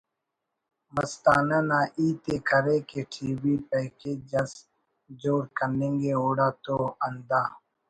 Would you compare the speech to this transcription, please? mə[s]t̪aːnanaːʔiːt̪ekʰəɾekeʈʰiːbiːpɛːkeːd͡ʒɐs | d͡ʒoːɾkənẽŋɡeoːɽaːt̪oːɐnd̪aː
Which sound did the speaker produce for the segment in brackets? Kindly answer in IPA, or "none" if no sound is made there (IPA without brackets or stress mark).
s